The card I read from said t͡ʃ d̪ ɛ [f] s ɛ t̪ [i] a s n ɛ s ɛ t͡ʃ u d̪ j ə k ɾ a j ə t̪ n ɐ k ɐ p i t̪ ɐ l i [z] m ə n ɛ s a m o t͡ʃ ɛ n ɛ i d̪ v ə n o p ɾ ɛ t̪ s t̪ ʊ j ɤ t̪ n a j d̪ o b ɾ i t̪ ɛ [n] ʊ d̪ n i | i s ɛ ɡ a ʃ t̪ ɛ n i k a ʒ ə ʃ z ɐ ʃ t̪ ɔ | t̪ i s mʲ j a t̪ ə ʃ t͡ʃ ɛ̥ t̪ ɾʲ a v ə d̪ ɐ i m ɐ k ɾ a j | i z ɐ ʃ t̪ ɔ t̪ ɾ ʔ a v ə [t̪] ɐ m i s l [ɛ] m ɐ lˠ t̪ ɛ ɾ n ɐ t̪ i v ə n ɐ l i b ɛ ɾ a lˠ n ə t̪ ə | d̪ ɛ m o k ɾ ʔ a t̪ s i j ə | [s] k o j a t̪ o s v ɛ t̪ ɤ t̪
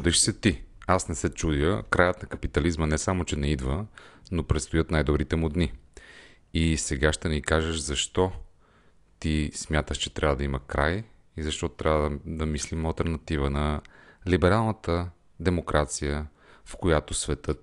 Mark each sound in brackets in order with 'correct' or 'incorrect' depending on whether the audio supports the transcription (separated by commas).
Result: incorrect, correct, correct, incorrect, incorrect, incorrect, incorrect